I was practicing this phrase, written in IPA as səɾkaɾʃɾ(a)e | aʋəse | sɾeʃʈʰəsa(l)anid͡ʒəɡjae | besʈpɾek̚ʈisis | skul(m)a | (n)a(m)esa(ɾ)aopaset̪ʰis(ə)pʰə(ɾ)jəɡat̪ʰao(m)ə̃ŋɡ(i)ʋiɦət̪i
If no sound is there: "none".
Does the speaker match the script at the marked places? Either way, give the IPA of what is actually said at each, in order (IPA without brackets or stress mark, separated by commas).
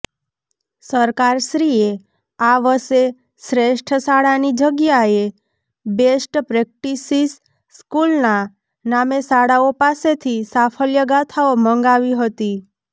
i, ɽ, n, n, m, ɽ, a, l, m, a